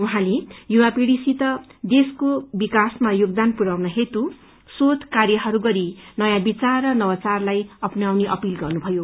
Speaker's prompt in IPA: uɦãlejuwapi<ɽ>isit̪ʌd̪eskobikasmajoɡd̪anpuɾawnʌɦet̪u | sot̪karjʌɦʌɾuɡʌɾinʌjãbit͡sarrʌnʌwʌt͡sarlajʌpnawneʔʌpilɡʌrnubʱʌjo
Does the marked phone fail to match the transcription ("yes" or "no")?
no